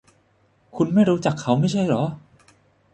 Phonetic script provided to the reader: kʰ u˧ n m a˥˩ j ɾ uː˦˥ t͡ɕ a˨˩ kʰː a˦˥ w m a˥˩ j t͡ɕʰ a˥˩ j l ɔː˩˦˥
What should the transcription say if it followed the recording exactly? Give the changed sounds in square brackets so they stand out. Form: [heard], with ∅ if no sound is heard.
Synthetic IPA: kʰ u˧ n m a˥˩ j ɾ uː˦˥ t͡ɕ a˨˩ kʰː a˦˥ w m a˥˩ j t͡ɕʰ a˥˩ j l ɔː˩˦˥